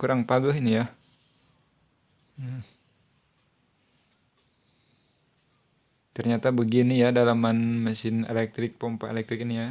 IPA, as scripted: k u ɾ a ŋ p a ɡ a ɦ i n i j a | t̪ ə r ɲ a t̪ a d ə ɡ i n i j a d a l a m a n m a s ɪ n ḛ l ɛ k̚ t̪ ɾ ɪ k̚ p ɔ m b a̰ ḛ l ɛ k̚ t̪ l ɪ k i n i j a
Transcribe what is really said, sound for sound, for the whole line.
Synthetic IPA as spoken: k u ɾ a ŋ p a ɡ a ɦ i n i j a | t̪ ə r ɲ a t̪ a b ə ɡ i n i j a d a l a m a n m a s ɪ n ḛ l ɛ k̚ t̪ ɾ ɪ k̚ p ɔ m p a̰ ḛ l ɛ k̚ t̪ ɾ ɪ k i n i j a